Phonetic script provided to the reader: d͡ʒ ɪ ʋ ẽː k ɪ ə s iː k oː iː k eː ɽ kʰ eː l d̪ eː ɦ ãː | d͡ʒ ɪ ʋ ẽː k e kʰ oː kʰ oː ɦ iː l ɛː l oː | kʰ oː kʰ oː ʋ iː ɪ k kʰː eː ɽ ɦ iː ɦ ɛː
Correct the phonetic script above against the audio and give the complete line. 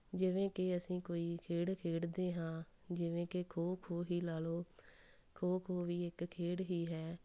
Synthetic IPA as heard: d͡ʒ ɪ ʋ ẽː k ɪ ə s ĩː k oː iː kʰ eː ɽ kʰ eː ɽ d̪ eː ɦ ãː | d͡ʒ ɪ ʋ ẽː k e kʰ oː kʰ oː ɦ iː l aː l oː | kʰ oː kʰ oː ʋ iː ɪ k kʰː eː ɽ ɦ iː ɦ ɛː